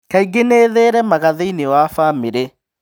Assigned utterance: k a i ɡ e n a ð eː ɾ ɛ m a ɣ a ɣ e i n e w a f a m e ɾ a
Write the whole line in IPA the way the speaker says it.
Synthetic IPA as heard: k a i ɡ e n e ð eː ɾ ɛ m a ɣ a ð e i n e w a f a m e ɾ e